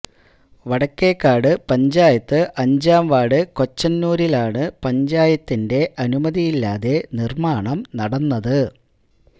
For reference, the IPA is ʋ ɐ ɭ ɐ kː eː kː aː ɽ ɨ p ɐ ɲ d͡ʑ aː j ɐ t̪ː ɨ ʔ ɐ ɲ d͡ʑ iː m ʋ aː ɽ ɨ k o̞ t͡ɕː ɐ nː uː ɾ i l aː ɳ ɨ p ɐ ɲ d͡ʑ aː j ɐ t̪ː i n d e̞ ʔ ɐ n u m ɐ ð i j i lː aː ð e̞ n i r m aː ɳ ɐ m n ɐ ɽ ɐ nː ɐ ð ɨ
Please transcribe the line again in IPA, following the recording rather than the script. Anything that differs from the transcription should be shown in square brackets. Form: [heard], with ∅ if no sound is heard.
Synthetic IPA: ʋ ɐ [ɽ] ɐ kː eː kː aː ɽ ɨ p ɐ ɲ d͡ʑ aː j ɐ t̪ː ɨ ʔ ɐ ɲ d͡ʑ [aː] m ʋ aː ɽ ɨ k o̞ t͡ɕː ɐ nː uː ɾ i l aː ɳ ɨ p ɐ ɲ d͡ʑ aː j ɐ t̪ː i n d e̞ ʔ ɐ n u m ɐ ð i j i lː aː ð e̞ n i r m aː ɳ ɐ m n ɐ ɽ ɐ nː ɐ ð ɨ